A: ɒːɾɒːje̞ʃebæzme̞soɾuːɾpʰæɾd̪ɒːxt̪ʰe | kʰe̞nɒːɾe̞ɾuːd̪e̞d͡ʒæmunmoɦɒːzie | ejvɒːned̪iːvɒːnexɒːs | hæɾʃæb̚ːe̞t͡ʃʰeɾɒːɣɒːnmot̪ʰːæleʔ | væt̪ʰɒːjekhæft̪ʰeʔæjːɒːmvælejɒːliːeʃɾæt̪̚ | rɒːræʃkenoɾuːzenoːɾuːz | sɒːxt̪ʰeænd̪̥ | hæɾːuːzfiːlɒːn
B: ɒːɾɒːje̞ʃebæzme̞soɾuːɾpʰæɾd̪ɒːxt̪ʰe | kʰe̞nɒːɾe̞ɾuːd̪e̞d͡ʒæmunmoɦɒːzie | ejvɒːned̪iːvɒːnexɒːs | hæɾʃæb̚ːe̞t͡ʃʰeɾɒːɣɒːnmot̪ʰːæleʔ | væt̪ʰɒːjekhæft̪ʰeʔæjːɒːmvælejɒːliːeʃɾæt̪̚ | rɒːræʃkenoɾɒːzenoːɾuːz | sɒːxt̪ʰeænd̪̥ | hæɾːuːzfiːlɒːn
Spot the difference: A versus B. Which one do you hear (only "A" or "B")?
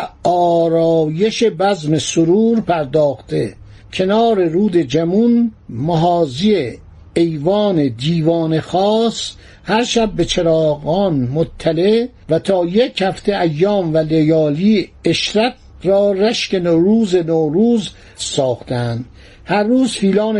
A